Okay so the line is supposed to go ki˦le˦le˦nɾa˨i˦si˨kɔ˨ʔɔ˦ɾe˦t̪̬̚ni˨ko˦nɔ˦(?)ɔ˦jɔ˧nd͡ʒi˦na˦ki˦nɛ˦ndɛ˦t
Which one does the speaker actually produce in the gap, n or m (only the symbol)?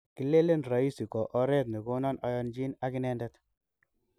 n